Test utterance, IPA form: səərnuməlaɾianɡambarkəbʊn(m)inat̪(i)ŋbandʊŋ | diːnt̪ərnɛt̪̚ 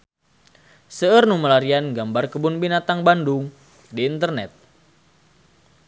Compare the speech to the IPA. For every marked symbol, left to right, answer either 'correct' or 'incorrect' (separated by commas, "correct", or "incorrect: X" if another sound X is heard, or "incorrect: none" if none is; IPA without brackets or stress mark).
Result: incorrect: b, incorrect: a